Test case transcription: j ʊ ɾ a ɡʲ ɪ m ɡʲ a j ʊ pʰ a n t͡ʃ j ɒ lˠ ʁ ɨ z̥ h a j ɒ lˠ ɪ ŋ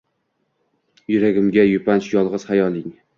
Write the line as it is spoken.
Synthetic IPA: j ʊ ɾ a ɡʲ ɪ m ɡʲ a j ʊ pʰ a n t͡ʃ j ɒ lˠ ʁ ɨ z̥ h a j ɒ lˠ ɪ ŋ

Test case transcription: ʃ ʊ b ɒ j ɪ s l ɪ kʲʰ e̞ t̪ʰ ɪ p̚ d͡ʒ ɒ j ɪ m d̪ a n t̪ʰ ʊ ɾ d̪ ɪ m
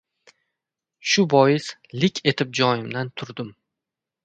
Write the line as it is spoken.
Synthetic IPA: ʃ ʊ b ɒ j ɪ s l ɪ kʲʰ e̞ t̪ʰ ɪ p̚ d͡ʒ ɒ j ɪ m d̪ a n t̪ʰ ʊ ɾ d̪ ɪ m

